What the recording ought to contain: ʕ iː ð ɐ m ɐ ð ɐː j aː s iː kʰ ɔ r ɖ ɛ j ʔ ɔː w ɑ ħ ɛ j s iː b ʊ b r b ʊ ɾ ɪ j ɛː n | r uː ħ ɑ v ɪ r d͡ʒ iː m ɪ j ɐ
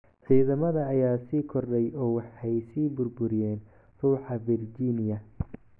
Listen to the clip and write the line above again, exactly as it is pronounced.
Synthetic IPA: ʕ iː ð ɐ m ɐ ð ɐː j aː s iː kʰ ɔ r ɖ ɛ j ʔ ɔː w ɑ ħ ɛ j s iː b ʊ r b ʊ ɾ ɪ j ɛː n | r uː ħ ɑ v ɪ r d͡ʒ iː n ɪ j ɐ